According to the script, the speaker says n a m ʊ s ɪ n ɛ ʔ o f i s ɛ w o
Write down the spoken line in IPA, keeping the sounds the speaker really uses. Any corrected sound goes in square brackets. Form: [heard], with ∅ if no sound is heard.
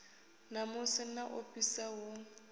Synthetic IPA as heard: n a m ʊ s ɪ n [a] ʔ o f i s [a] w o